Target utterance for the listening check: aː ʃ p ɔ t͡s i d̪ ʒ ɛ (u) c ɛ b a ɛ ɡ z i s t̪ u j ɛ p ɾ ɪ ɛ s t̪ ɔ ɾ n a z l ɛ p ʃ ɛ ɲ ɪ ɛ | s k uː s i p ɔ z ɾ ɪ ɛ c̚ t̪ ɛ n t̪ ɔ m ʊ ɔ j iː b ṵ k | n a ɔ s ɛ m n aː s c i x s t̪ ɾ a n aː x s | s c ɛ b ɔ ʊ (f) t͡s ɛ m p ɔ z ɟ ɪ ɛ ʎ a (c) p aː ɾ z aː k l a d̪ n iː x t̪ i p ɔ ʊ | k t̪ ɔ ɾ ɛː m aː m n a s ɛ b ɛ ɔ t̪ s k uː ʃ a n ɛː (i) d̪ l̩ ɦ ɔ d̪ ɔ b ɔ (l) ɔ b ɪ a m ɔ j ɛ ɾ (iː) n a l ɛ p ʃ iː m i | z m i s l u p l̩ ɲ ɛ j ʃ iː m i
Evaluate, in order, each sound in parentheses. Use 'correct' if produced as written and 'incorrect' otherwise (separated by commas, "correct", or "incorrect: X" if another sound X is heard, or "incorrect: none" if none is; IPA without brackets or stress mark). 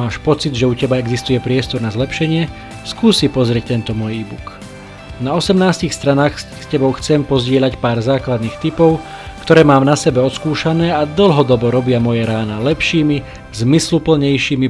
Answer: correct, incorrect: x, correct, incorrect: a, incorrect: ɾ, incorrect: aː